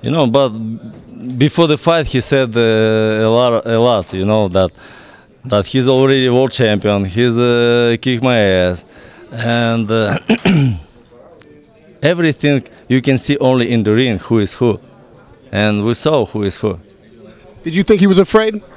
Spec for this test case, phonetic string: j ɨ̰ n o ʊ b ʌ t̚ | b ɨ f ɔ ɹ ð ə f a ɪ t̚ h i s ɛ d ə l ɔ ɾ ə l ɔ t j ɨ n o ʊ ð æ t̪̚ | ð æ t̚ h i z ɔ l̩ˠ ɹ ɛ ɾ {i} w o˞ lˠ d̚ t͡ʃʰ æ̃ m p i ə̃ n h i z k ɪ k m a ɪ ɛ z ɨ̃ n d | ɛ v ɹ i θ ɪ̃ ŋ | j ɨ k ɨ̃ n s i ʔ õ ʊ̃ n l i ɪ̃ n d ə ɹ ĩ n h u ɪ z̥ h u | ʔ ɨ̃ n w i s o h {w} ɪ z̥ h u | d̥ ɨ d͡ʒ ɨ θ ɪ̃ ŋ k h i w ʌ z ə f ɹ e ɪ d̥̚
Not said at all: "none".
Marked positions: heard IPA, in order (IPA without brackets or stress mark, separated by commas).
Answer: i, u